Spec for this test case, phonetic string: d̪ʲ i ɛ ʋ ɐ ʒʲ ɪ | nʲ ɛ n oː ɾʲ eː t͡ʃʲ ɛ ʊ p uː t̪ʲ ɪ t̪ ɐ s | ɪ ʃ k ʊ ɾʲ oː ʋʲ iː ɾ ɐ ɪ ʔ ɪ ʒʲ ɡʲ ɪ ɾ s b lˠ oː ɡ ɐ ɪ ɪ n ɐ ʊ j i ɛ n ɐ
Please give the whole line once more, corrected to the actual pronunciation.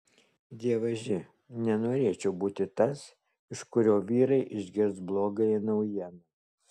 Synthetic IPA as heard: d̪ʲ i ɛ ʋ ɐ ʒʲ ɪ | nʲ ɛ n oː ɾʲ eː t͡ʃʲ ɛ ʊ b uː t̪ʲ ɪ t̪ ɐ s | ɪ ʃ k ʊ ɾʲ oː ʋʲ iː ɾ ɐ ɪ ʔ ɪ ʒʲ ɡʲ ɪ ɾ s b lˠ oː ɡ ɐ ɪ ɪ n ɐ ʊ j i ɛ n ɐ